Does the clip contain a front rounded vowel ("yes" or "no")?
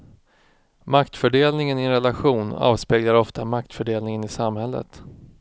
yes